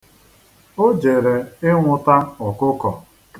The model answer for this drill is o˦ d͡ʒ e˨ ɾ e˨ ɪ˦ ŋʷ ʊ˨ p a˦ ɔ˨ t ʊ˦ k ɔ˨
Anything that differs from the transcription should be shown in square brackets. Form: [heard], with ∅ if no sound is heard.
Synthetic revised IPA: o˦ d͡ʒ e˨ ɾ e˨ ɪ˦ ŋʷ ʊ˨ [t] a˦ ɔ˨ [k] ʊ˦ k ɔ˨